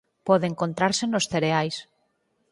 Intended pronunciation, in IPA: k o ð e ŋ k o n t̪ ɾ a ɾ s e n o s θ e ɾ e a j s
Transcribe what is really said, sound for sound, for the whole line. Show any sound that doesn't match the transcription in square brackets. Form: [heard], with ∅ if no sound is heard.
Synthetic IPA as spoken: [p] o ð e ŋ k o n t̪ ɾ a ɾ s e n o s θ e ɾ e a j s